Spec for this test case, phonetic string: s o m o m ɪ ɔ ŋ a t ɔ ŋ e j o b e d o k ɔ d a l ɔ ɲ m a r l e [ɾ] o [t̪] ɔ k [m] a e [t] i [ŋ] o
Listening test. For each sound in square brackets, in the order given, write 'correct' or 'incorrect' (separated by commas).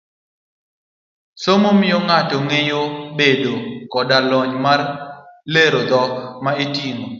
correct, incorrect, correct, correct, correct